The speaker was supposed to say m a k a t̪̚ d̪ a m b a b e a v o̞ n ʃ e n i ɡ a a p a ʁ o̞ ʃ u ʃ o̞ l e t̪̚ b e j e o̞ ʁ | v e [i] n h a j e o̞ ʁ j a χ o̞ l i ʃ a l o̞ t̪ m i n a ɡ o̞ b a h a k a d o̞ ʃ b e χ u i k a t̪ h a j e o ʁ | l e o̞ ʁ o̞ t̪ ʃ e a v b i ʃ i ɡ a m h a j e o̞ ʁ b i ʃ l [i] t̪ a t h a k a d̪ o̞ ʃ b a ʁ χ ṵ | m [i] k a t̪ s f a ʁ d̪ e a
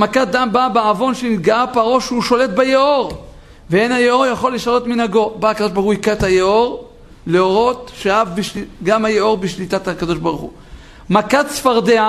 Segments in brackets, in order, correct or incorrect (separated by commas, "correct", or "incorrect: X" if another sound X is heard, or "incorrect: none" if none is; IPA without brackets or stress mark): incorrect: e, correct, incorrect: a